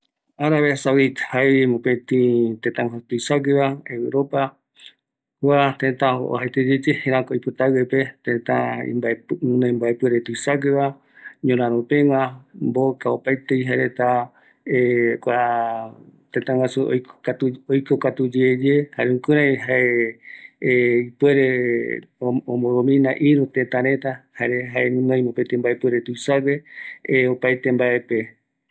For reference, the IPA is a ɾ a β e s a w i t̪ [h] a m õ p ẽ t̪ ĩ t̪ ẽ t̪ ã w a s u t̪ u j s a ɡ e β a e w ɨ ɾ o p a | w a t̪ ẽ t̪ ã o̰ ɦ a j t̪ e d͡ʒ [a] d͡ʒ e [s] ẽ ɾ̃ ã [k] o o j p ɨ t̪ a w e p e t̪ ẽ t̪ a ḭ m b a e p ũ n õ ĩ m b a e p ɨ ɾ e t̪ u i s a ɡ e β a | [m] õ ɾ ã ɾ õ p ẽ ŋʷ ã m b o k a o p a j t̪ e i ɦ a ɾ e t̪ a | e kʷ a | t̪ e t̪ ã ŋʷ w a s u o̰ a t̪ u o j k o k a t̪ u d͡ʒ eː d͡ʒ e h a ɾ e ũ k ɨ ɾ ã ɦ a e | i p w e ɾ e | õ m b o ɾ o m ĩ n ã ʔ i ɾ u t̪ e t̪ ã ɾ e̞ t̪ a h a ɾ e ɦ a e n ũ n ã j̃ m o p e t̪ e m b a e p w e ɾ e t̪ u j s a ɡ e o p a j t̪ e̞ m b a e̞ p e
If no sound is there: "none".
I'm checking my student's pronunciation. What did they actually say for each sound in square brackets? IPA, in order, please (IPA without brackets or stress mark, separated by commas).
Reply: h, e, h, k, ɲ